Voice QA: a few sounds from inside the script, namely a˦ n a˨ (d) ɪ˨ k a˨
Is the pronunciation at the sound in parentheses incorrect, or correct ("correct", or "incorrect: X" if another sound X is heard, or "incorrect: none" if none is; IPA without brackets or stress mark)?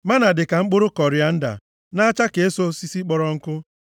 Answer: correct